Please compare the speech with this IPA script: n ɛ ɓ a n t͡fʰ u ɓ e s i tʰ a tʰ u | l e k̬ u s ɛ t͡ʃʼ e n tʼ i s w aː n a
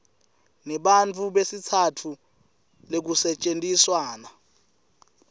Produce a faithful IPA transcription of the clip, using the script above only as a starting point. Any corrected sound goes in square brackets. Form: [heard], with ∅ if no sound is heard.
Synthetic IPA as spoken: n ɛ ɓ a n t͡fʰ u ɓ e s i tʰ a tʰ u | l e k̬ u s ɛ t͡ʃʼ e n tʼ i s w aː n a